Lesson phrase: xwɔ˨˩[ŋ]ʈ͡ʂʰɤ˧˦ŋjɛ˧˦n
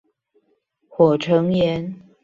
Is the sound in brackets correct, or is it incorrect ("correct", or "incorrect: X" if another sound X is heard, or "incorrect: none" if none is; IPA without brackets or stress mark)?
incorrect: none